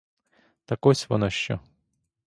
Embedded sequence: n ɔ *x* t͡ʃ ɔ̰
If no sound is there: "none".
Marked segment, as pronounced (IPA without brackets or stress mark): ʃ